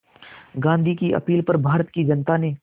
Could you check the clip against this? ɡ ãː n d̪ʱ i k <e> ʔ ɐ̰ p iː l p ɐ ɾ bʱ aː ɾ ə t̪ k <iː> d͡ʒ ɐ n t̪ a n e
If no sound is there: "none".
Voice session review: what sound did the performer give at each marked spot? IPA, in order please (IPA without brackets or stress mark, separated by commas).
i, i